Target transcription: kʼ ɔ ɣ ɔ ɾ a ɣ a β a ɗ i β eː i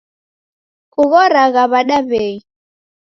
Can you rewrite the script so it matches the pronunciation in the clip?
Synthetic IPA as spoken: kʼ u ɣ ɔ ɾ a ɣ a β a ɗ a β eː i